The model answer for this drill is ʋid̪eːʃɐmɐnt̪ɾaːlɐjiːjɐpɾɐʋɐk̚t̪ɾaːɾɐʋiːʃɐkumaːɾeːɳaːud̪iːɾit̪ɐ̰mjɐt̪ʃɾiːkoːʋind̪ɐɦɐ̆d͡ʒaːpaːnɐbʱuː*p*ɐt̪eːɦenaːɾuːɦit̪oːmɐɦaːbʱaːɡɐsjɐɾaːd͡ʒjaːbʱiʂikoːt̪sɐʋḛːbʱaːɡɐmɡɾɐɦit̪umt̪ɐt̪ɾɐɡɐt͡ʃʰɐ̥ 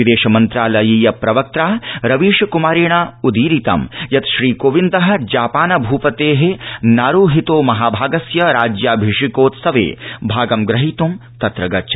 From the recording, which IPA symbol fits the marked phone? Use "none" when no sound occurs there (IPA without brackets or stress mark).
p